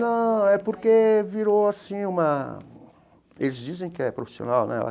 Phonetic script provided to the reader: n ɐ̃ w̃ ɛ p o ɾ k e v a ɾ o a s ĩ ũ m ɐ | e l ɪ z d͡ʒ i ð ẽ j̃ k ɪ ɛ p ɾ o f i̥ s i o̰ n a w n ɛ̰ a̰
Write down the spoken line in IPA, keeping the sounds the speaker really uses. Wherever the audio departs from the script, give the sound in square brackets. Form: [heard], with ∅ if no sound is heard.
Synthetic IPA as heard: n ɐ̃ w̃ ɛ p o ɾ k e v [i] ɾ o a s ĩ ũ m ɐ | e l ɪ z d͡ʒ i [z] ẽ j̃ k ɪ ɛ p ɾ o f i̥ s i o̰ n a w n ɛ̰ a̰